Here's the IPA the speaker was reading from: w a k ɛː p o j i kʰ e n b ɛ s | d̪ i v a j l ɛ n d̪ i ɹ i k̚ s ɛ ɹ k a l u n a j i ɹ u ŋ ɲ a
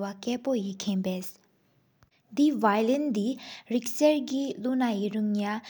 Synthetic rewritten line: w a k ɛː p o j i kʰ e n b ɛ s | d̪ i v a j l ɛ n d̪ i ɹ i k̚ s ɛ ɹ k i l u n a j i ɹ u ŋ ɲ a